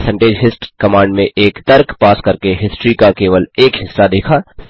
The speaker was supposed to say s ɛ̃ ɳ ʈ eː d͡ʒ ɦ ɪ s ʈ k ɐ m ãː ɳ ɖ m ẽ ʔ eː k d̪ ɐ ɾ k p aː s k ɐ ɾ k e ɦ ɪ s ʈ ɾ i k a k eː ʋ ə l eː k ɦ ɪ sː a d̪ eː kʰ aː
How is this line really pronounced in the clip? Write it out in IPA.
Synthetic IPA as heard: s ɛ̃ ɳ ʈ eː d͡ʒ ɦ ɪ s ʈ k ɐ m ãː ɳ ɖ m ẽ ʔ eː k t̪ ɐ ɾ k p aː s k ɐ ɾ k e ɦ ɪ s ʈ ɾ i k a k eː ʋ ə l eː k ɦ ɪ sː a d̪ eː kʰ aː